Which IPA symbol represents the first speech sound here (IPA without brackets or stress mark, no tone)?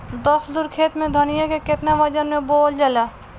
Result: d̪